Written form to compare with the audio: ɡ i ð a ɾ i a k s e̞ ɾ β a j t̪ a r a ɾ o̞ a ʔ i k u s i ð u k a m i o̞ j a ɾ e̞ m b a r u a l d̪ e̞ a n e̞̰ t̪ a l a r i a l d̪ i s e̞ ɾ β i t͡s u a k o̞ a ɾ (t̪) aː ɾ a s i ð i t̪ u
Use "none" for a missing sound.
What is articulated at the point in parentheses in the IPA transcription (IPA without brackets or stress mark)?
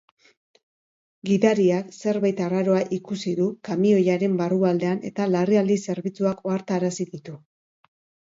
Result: t̪